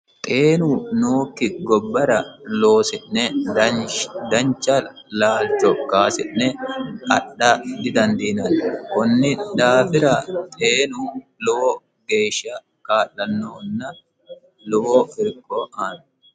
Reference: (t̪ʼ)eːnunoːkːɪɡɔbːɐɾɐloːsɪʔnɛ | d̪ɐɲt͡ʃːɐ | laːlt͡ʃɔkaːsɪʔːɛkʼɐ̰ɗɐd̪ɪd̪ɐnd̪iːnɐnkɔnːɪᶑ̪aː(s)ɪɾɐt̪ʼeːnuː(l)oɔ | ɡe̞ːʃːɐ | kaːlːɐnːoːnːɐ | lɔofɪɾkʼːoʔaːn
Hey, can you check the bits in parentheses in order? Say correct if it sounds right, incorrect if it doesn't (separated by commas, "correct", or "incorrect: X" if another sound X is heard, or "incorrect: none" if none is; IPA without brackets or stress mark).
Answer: correct, incorrect: f, correct